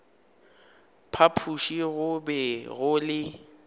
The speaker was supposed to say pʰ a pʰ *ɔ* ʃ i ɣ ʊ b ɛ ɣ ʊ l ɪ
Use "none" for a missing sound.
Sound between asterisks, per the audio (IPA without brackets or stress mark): u